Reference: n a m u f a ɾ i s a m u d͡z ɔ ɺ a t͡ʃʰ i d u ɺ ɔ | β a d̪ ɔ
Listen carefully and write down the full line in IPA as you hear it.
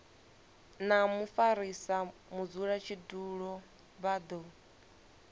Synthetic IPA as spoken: n a m u f a ɾ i s a m u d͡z u ɺ a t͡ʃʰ i d u ɺ ɔ | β a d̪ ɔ

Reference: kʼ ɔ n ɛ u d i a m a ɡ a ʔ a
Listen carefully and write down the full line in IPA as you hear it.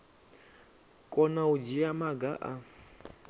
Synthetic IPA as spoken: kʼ ɔ n a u d͡ʒ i a m a ɡ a ʔ a

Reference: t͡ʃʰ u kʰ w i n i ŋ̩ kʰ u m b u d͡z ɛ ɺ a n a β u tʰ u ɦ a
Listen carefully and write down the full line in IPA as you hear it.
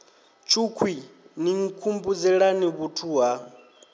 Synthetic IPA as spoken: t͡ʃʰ u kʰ w i n i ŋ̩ kʰ u m b u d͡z ɛ ɺ a n i β u tʰ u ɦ a

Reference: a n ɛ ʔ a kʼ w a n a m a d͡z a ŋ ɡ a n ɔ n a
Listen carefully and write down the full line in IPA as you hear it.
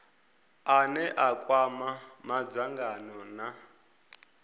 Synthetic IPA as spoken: a n ɛ ʔ a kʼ w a m a m a d͡z a ŋ ɡ a n ɔ n a

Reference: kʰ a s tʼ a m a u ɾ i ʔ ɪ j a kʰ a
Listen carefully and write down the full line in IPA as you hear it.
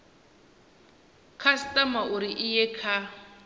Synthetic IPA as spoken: kʰ a s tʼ a m a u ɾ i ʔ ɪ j ɛ kʰ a

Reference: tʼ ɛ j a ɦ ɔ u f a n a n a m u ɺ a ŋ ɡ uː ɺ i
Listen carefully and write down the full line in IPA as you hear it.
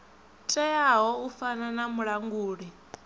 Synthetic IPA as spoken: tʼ ɛ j a ɦ ɔ u f a n a n a m u ɺ a ŋ ɡ uː ɺ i

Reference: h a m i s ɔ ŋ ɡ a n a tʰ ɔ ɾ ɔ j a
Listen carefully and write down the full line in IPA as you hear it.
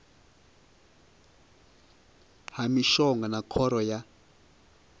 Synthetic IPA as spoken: h a m i ʃ ɔ ŋ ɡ a n a kʰ ɔ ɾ ɔ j a

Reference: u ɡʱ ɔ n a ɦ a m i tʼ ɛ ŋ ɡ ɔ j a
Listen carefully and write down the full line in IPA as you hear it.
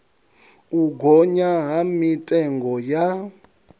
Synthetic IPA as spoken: u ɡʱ ɔ ɲ a ɦ a m i tʼ ɛ ŋ ɡ ɔ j a

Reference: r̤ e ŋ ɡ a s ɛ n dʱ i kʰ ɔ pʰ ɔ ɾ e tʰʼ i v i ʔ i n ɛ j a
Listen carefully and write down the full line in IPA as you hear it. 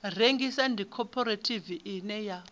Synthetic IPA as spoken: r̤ e ŋ ɡ i s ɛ n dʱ i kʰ ɔ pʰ ɔ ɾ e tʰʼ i v i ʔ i n ɛ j a

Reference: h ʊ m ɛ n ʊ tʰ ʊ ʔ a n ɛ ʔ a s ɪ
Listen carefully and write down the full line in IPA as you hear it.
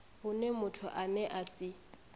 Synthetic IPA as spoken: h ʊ n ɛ m ʊ tʰ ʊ ʔ a n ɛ ʔ a s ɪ

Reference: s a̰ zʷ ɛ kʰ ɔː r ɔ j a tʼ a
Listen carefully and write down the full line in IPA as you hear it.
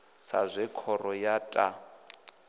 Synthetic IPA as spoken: s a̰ zʷ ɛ kʰ ɔ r ɔ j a tʼ a

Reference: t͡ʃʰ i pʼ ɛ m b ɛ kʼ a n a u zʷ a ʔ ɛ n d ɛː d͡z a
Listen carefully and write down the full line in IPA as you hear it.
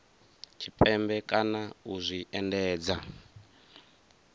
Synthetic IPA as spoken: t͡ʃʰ i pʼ ɛ m b ɛ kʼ a n a u zʷ i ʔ ɛ n d ɛː d͡z a

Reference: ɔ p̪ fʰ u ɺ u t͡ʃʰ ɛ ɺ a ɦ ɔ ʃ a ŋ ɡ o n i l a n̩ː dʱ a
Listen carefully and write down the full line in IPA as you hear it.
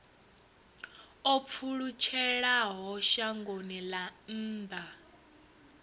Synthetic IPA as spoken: ɔ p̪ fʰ u ɺ u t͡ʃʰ ɛ ɺ a ɦ ɔ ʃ a ŋ ɡ o n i l a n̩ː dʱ a

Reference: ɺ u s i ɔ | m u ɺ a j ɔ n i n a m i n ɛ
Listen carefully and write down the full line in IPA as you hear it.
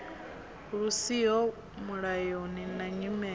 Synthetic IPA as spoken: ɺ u s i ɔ | m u ɺ a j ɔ n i n a ɲ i m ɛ

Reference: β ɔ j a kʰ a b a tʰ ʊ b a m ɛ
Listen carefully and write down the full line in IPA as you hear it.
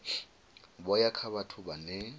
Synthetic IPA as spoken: b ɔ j a kʰ a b a tʰ ʊ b a n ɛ

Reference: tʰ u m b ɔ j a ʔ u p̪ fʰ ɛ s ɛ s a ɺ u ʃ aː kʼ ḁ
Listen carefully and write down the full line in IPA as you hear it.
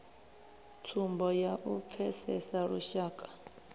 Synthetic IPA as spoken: tʰ u m b ɔ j a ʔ u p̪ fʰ ɛ s ɛ s a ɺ u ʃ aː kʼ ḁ

